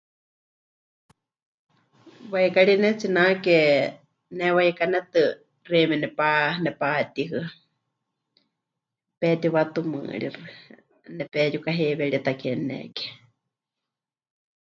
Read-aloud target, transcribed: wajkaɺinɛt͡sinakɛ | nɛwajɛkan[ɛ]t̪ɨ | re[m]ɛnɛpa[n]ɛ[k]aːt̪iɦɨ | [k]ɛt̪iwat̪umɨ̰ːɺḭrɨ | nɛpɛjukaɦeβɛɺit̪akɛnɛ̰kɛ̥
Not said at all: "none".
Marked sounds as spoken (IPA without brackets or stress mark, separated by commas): ɛ, m, n, p, p